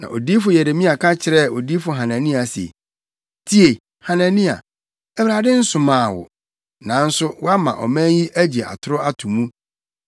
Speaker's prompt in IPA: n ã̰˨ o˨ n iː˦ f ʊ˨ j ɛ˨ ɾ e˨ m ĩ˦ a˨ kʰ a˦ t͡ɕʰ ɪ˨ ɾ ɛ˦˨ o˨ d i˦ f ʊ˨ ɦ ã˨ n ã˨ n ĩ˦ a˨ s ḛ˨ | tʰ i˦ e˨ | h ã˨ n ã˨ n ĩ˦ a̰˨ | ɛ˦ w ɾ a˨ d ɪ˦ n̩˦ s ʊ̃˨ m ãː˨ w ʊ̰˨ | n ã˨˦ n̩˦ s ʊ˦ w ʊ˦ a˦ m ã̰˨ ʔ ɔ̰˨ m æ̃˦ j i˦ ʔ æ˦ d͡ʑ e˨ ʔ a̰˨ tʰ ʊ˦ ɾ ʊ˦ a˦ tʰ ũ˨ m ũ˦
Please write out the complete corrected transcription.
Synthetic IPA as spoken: n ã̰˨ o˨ d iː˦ f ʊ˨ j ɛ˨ ɾ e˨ m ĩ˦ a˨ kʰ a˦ t͡ɕʰ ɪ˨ ɾ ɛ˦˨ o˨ d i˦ f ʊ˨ ɦ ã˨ n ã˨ n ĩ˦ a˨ s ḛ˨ | tʰ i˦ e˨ | h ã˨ n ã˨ n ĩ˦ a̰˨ | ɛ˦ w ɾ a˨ d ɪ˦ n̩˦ s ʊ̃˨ m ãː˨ w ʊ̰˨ | n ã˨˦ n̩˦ s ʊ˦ w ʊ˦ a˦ m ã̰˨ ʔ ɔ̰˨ m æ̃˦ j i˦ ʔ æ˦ d͡ʑ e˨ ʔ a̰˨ tʰ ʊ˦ ɾ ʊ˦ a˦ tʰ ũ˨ m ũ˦